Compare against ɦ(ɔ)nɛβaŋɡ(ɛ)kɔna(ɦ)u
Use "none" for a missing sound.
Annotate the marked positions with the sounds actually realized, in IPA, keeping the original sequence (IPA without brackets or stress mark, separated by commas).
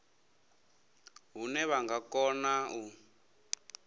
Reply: u, a, none